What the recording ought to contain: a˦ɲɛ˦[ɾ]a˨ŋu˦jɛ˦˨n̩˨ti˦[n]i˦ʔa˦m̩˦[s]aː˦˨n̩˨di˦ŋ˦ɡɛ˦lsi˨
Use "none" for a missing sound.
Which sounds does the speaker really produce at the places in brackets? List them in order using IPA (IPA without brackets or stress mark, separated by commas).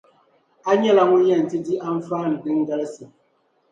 l, d, f